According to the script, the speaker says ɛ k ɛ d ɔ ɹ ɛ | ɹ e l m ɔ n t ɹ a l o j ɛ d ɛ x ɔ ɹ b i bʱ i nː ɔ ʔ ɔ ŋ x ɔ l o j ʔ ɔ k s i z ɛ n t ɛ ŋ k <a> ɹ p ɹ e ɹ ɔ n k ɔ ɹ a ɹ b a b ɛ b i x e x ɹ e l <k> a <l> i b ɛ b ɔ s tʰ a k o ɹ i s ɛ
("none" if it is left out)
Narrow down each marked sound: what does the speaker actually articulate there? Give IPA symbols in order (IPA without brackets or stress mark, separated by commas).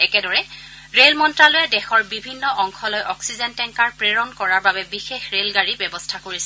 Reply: a, ɡ, ɹ